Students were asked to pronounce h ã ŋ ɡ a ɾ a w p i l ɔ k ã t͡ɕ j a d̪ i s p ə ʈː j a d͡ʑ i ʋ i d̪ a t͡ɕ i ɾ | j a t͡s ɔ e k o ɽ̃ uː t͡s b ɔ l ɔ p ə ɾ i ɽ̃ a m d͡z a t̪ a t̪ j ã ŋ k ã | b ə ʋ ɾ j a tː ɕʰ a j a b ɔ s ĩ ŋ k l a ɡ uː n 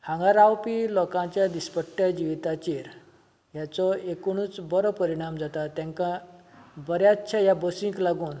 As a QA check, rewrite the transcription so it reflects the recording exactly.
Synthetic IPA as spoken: h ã ŋ ɡ a ɾ a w p i l ɔ k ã t͡ɕ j a d̪ i s p ə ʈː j a d͡ʑ i ʋ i t̪ a t͡ɕ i ɾ | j a t͡s ɔ e k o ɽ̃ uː t͡s b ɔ ɾ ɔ p ə ɾ i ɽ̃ a m d͡z a t̪ a t̪ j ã ŋ k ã | b ə ɾ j a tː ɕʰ a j a b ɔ s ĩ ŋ k l a ɡ uː n